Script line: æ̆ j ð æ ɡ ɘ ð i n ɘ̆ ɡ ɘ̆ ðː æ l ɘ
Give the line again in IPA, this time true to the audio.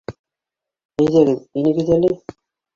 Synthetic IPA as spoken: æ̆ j ð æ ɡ ɘ ð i n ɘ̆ ɡ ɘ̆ ð æ l ɘ